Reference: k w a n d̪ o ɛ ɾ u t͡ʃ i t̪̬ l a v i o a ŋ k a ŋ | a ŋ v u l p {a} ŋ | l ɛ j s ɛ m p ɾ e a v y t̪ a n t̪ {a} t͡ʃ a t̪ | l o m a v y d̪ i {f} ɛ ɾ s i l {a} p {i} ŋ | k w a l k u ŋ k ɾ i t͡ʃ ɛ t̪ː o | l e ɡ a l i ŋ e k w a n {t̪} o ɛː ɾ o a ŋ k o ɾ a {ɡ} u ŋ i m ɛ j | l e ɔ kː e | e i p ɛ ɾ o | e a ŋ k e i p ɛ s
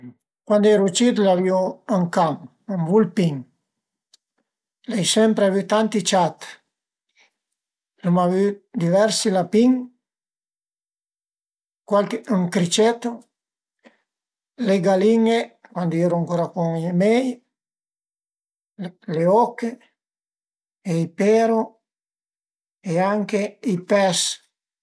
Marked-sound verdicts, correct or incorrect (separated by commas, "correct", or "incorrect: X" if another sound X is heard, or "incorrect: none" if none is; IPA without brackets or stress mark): incorrect: i, incorrect: i, incorrect: v, correct, correct, incorrect: d̪, incorrect: k